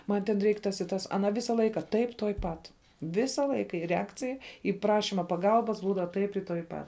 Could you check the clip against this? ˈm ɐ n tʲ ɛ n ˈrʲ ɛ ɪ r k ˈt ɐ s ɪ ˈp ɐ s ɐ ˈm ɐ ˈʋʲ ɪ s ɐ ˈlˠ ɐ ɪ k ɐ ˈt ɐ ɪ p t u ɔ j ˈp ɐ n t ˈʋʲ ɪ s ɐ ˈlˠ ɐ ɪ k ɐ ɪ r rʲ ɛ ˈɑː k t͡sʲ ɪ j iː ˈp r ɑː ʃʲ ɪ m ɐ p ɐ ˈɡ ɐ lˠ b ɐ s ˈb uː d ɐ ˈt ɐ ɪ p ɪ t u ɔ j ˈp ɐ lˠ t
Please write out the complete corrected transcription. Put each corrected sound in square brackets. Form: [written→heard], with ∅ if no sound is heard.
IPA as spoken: ˈm ɐ n tʲ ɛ n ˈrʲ ɛ ɪ [r→∅] k ˈt ɐ s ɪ [ˈp→ˈt] ɐ s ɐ [ˈm→ˈn] ɐ ˈʋʲ ɪ s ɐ ˈlˠ ɐ ɪ k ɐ ˈt ɐ ɪ p t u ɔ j ˈp ɐ [n→∅] t ˈʋʲ ɪ s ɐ ˈlˠ ɐ ɪ k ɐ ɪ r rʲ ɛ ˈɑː k t͡sʲ ɪ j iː ˈp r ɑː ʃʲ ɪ m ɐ p ɐ ˈɡ ɐ lˠ b ɐ s ˈb uː d ɐ ˈt ɐ ɪ p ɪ t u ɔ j ˈp ɐ [lˠ→∅] t

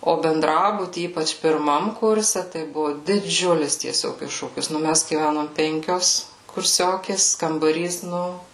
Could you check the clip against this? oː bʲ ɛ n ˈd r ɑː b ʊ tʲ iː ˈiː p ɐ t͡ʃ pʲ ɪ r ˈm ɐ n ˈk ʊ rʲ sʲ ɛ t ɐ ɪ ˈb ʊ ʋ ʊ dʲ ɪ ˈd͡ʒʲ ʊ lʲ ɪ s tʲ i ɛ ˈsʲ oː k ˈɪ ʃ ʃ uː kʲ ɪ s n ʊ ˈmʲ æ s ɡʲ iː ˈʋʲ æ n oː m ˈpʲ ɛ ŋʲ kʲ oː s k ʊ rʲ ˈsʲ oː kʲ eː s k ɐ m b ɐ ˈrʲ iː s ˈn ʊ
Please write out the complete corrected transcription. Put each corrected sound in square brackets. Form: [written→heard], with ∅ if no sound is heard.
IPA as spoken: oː bʲ ɛ n ˈd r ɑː b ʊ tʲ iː ˈiː p ɐ t͡ʃ pʲ ɪ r ˈm ɐ [n→m] ˈk ʊ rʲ sʲ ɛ t ɐ ɪ ˈb ʊ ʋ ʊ dʲ ɪ ˈd͡ʒʲ ʊ lʲ ɪ s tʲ i ɛ ˈsʲ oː k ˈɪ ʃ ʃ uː kʲ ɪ s n ʊ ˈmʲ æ s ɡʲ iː ˈʋʲ æ n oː m ˈpʲ ɛ ŋʲ kʲ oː s k ʊ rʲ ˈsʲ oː kʲ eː s k ɐ m b ɐ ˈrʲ iː s ˈn ʊ

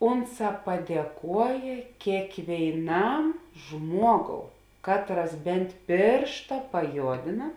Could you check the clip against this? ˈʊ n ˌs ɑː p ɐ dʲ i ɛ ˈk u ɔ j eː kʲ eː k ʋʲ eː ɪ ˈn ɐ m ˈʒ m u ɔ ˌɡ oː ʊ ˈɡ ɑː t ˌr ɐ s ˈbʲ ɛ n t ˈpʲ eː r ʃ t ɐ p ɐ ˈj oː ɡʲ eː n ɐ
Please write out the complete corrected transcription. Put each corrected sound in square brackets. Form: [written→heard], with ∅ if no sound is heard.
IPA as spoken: ˈʊ n ˌs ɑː p ɐ dʲ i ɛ ˈk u ɔ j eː kʲ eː k ʋʲ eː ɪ ˈn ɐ m ˈʒ m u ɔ ˌɡ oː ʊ [ˈɡ→ˈk] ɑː t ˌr ɐ s ˈbʲ ɛ n t ˈpʲ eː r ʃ t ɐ p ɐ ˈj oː [ɡʲ→dʲ] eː n ɐ

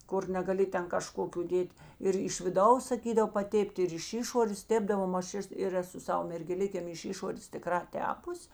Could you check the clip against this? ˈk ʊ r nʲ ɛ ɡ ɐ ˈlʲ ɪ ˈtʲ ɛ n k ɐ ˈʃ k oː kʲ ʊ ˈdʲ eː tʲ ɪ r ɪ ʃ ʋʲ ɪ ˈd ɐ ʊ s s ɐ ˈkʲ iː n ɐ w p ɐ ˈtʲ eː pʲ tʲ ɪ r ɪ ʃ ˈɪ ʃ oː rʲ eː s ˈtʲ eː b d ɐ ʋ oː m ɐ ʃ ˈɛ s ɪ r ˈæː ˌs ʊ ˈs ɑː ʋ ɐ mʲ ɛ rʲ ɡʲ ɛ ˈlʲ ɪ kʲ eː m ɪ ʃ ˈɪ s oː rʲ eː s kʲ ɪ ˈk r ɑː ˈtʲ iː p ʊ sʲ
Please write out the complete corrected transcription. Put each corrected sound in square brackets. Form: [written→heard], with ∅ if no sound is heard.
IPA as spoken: ˈk ʊ r nʲ ɛ ɡ ɐ ˈlʲ ɪ ˈtʲ ɛ n k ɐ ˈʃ k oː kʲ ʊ ˈdʲ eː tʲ ɪ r ɪ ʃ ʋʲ ɪ ˈd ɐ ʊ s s ɐ ˈkʲ iː [n→d] ɐ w p ɐ ˈtʲ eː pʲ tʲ ɪ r ɪ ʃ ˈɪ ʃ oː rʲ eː s ˈtʲ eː b d ɐ ʋ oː m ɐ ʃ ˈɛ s ɪ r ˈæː ˌs ʊ ˈs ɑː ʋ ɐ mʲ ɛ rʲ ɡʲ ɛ ˈlʲ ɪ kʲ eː m ɪ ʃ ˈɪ [s→ʃ] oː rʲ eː s [kʲ→tʲ] ɪ ˈk r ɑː ˈtʲ [iː→æː] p ʊ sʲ

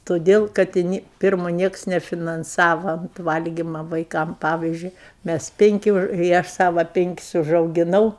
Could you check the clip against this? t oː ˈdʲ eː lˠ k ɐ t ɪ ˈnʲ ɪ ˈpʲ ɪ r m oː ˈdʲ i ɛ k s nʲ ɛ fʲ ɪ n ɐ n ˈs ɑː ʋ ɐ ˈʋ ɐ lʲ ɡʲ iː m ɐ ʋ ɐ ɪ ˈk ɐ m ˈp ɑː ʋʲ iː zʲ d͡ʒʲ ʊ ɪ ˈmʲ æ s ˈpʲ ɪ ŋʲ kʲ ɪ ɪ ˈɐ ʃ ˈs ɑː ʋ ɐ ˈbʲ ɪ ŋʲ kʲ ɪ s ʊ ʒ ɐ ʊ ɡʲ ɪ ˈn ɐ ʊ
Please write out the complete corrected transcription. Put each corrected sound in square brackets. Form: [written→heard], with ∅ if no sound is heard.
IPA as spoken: t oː ˈdʲ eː lˠ k ɐ t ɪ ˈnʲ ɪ ˈpʲ ɪ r m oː [ˈdʲ→ˈnʲ] i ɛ k s nʲ ɛ fʲ ɪ n ɐ n ˈs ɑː ʋ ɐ ˈʋ ɐ lʲ ɡʲ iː m ɐ ʋ ɐ ɪ ˈk ɐ m ˈp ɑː ʋʲ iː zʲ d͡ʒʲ ʊ ɪ ˈmʲ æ s ˈpʲ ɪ ŋʲ kʲ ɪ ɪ ˈɐ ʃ ˈs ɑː ʋ ɐ [ˈbʲ→ˈpʲ] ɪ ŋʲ kʲ ɪ s ʊ ʒ ɐ ʊ ɡʲ ɪ ˈn ɐ ʊ

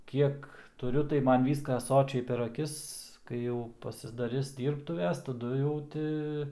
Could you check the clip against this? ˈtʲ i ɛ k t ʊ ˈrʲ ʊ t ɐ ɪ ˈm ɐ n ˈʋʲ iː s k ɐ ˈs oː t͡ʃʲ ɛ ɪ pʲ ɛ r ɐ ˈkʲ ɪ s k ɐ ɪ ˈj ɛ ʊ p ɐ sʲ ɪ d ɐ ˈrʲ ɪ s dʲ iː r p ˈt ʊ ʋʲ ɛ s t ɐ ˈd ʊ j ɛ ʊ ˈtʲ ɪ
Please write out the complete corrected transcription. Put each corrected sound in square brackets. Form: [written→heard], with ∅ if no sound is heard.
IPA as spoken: [ˈtʲ→ˈkʲ] i ɛ k t ʊ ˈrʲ ʊ t ɐ ɪ ˈm ɐ n ˈʋʲ iː s k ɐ ˈs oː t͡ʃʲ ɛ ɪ pʲ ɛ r ɐ ˈkʲ ɪ s k ɐ ɪ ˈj ɛ ʊ p ɐ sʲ ɪ d ɐ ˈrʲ ɪ s dʲ iː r p ˈt ʊ ʋʲ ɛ s t ɐ ˈd ʊ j ɛ ʊ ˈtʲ ɪ

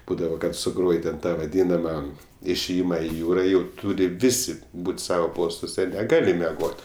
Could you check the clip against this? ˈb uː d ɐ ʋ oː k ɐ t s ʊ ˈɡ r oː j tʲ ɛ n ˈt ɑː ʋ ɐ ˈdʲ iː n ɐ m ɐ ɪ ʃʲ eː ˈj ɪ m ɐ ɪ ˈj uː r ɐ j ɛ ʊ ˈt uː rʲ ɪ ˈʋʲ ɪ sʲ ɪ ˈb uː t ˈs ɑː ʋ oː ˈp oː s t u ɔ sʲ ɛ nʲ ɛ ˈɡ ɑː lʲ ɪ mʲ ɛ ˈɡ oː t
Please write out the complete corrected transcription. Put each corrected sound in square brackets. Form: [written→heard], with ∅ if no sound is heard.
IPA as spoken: ˈb uː d ɐ ʋ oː k ɐ t s ʊ ˈɡ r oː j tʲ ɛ n ˈt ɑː ʋ ɐ ˈdʲ iː n ɐ m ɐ ɪ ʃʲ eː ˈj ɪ m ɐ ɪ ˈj uː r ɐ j ɛ ʊ ˈt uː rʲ ɪ ˈʋʲ ɪ sʲ ɪ ˈb uː t ˈs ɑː ʋ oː ˈp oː s t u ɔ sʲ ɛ nʲ ɛ ˈɡ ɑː lʲ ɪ mʲ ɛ ˈɡ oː t

